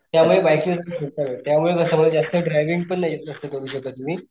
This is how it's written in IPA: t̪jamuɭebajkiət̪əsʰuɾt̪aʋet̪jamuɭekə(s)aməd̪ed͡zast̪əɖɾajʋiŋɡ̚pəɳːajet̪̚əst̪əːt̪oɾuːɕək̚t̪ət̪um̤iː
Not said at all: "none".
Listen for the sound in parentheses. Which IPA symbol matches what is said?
s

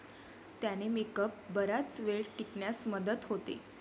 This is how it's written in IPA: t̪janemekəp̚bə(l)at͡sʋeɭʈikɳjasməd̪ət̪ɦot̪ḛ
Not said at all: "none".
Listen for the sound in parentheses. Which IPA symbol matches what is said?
ɾ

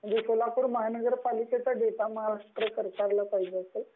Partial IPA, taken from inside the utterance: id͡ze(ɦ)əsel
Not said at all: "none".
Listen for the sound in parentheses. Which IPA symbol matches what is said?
none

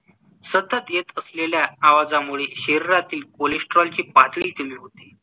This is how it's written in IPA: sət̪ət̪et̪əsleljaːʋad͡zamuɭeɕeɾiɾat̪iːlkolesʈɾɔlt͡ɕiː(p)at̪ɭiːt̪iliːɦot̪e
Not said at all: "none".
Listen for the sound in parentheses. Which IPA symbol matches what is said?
p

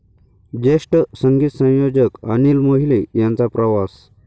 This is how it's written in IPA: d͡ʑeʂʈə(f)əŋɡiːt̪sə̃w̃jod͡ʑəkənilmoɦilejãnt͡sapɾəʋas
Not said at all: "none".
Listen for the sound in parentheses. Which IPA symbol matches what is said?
s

